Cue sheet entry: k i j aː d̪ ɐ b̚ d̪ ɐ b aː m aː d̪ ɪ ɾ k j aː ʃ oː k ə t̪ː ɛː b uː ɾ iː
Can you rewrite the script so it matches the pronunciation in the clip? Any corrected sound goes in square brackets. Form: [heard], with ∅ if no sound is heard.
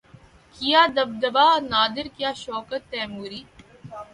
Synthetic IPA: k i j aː d̪ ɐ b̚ d̪ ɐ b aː [n] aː d̪ ɪ ɾ k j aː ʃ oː k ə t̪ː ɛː [m] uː ɾ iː